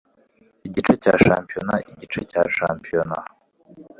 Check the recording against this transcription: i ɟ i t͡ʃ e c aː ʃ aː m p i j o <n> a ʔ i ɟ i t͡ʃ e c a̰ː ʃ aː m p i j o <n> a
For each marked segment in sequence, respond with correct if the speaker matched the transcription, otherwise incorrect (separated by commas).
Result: correct, correct